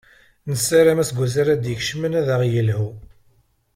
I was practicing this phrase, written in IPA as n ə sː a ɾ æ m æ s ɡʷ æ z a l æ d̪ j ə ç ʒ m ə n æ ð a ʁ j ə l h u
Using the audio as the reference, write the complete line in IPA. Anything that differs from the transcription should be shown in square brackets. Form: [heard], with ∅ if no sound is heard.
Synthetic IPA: n ə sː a ɾ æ m æ s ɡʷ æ z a [ɾ] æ d̪ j ə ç [ʃ] m ə n æ ð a ʁ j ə l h u